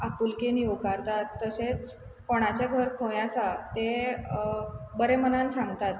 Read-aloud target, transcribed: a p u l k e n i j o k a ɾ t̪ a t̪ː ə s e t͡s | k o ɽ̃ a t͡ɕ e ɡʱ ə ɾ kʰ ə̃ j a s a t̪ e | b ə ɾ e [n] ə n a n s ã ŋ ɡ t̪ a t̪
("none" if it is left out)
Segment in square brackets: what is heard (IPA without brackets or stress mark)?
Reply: m